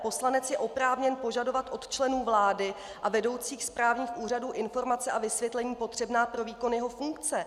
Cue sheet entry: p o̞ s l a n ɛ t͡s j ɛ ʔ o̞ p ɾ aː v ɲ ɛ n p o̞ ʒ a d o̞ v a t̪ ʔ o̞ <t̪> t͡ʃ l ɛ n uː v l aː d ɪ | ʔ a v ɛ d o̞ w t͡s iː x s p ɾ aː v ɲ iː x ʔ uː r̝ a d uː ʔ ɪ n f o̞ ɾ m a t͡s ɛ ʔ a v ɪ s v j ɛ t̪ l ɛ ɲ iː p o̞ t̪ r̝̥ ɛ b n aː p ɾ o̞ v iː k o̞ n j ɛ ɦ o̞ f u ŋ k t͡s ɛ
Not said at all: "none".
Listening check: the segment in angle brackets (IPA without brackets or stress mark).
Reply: t̪